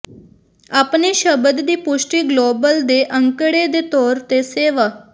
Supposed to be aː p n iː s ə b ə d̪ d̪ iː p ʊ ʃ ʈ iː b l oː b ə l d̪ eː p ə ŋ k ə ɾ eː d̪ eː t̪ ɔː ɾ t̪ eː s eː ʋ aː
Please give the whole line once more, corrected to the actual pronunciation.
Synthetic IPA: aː p n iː ʃ ə b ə d̪ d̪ iː p ʊ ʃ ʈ iː ɡ l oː b ə l d̪ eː ʔ ə ŋ k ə ɽ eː d̪ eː t̪ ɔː ɾ t̪ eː s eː ʋ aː